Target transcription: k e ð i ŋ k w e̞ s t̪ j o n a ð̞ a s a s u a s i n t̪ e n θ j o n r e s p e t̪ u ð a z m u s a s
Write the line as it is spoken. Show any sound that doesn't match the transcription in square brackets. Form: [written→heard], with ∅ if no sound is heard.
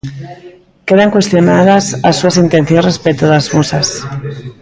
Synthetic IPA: k e ð [i→a] ŋ k w e̞ s t̪ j o n a ð̞ a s a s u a s i n t̪ e n θ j o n r e s p e t̪ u ð a z m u s a s

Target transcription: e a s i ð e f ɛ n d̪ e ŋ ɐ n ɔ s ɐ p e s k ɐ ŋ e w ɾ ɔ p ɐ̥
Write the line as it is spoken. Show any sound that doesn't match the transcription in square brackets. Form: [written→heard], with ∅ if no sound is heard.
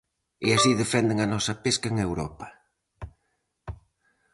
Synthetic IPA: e a s i ð e f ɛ n d̪ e ŋ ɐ n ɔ s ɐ p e s k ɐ ŋ e w ɾ ɔ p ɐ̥

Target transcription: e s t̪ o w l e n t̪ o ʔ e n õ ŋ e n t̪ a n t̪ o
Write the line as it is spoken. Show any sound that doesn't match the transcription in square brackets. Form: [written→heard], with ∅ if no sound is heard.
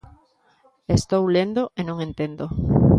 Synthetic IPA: e s t̪ o w l e n [t̪→d̪] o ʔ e n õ ŋ e n t̪ [a→e] n [t̪→d̪] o

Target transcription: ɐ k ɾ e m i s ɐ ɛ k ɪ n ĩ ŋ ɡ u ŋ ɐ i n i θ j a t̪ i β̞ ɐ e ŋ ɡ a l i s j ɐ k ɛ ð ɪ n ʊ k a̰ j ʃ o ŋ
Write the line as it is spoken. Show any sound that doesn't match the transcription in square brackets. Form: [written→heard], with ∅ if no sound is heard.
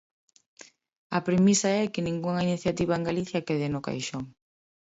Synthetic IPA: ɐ [k→p] ɾ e m i s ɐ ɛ k ɪ n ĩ ŋ ɡ u ŋ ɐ i n i θ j a t̪ i β̞ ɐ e ŋ ɡ a l i [s→θ] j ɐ k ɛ ð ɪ n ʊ k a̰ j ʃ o ŋ

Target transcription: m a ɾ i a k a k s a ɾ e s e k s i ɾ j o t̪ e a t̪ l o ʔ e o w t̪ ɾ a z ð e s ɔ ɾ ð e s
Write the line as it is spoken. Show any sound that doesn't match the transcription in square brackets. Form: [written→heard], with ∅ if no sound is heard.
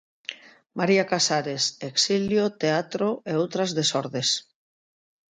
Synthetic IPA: m a ɾ i a k a [k→∅] s a ɾ e s e k s i [ɾ→l] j o t̪ e a t̪ [l→ɾ] o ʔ e o w t̪ ɾ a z ð e s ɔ ɾ ð e s

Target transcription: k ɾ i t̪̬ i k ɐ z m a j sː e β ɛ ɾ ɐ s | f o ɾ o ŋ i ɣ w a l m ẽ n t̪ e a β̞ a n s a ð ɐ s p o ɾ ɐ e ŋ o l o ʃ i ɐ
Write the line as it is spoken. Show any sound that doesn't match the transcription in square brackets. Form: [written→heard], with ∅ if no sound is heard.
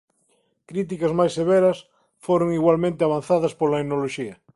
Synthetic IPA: k ɾ i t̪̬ i k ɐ z m a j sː e β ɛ ɾ ɐ s | f o ɾ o ŋ i ɣ w a l m ẽ n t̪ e a β̞ a n [s→θ] a ð ɐ s p o [ɾ→l] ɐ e [ŋ→n] o l o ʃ i ɐ

